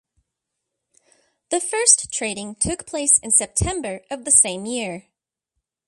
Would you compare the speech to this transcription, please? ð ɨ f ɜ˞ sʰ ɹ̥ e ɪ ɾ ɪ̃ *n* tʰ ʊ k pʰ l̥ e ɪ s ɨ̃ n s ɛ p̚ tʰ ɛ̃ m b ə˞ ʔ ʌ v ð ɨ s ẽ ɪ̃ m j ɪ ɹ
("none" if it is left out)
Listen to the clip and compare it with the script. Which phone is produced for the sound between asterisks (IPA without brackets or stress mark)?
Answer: ŋ